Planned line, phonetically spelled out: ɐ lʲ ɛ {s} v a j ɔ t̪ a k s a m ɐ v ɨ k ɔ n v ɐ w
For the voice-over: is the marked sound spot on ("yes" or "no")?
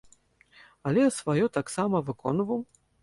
yes